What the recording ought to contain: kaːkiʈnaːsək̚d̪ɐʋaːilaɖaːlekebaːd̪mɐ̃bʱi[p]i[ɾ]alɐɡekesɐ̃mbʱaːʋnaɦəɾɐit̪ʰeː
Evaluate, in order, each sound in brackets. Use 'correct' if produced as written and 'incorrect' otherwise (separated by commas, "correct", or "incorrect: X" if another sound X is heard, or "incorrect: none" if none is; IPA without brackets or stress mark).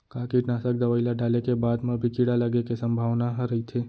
incorrect: k, incorrect: ɽ